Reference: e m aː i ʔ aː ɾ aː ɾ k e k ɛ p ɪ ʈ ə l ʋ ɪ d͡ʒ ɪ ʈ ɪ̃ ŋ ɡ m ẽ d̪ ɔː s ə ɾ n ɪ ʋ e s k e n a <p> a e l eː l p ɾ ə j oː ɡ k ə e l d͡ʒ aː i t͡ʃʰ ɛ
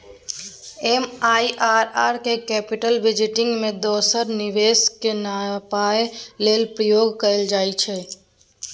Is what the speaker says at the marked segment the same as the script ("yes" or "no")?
yes